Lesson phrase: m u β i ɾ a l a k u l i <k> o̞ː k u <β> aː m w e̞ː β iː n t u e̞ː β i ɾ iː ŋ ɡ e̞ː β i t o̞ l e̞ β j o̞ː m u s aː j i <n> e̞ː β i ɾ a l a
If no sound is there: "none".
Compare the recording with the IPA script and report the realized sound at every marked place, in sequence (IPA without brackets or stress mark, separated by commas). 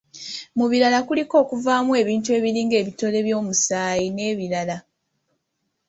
k, v, n